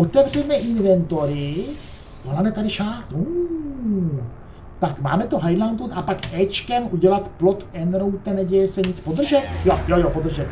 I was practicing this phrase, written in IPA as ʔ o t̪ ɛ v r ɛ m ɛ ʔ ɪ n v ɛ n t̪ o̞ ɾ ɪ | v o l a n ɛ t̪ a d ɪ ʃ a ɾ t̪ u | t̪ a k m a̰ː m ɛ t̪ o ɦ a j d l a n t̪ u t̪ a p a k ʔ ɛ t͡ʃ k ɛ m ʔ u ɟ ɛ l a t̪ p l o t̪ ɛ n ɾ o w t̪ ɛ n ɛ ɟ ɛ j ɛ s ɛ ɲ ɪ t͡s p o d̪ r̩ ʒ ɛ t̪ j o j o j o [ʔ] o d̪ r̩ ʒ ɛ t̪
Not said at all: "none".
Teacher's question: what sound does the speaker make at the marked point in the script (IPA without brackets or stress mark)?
p